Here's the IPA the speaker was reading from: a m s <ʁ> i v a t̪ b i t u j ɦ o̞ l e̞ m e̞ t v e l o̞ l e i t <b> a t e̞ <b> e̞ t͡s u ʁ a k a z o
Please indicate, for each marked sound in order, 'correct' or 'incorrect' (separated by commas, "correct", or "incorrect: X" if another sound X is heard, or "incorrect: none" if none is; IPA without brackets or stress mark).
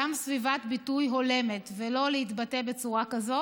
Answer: incorrect: v, correct, correct